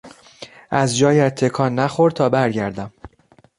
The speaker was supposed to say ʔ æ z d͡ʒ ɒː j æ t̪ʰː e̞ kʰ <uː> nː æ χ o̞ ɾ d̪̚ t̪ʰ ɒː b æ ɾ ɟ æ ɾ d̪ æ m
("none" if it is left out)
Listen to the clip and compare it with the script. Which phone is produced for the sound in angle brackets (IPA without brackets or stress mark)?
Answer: ɒː